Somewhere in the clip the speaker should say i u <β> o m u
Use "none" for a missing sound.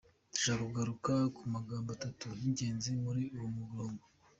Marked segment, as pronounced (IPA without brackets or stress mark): w